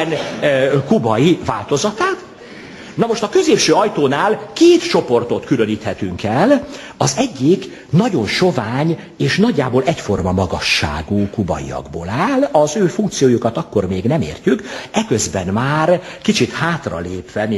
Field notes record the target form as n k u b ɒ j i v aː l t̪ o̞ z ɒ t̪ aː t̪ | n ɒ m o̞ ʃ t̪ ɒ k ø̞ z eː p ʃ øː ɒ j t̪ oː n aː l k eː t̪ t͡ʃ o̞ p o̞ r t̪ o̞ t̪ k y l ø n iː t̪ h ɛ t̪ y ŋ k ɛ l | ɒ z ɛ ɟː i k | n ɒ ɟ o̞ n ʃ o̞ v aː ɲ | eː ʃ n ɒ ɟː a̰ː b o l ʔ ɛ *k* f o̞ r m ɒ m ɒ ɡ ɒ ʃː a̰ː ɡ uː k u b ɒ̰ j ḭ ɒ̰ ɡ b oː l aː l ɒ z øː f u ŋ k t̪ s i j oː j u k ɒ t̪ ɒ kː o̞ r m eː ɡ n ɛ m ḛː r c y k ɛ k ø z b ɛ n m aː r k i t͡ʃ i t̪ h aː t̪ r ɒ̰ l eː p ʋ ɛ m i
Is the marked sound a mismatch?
yes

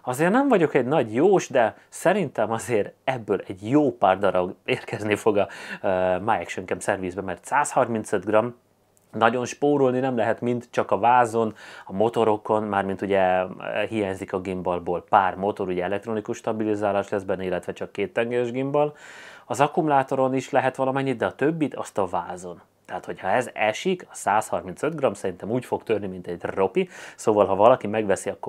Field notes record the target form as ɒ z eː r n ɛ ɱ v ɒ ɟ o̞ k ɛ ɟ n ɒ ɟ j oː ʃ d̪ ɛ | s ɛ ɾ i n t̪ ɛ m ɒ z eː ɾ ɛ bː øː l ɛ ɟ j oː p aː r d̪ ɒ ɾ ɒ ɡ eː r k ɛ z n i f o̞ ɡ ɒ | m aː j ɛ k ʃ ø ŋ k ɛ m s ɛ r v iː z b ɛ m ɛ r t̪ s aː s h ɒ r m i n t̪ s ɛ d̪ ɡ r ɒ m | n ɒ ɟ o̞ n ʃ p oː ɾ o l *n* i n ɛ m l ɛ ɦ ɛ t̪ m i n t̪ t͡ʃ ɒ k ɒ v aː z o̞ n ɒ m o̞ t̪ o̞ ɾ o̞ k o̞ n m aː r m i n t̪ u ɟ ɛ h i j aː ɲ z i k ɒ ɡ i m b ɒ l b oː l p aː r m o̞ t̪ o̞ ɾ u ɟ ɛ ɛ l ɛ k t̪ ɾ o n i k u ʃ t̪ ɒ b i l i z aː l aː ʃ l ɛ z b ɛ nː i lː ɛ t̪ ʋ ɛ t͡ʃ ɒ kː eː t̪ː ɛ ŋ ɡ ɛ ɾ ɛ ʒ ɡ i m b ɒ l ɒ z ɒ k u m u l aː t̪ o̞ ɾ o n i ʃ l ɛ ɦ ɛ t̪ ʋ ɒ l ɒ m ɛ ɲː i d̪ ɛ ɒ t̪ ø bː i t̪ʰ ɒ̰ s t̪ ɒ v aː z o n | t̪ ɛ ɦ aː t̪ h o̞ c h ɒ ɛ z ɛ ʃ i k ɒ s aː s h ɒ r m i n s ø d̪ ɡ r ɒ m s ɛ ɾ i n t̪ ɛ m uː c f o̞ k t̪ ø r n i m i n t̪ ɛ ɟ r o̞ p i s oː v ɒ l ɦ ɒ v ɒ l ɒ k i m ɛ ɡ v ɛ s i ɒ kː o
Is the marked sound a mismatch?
no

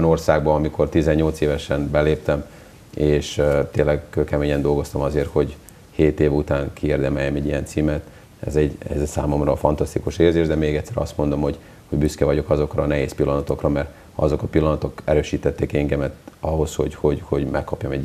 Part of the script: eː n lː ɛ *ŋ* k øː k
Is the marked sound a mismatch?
yes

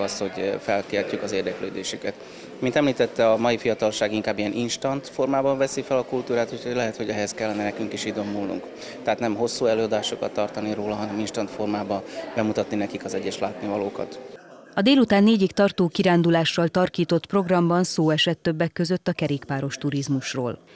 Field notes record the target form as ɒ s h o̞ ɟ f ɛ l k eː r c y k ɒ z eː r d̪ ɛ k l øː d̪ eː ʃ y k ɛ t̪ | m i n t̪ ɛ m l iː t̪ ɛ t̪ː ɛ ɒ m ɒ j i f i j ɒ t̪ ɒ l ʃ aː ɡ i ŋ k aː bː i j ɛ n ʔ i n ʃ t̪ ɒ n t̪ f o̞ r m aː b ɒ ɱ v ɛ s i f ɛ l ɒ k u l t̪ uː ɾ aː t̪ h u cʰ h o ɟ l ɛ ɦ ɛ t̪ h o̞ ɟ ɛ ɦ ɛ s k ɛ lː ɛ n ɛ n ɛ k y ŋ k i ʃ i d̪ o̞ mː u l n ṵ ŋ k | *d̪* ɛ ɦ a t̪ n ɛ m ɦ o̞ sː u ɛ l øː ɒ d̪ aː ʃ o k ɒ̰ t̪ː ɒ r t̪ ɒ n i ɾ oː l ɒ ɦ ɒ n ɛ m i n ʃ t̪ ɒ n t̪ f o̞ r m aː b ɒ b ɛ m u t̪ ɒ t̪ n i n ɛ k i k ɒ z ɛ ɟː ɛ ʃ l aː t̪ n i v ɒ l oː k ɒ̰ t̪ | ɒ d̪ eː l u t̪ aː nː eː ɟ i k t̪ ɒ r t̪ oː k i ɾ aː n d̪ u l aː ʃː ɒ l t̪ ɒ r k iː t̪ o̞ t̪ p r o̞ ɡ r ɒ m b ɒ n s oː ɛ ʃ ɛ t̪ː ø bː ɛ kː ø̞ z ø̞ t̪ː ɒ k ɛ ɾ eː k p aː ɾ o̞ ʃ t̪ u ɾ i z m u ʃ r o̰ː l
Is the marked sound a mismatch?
yes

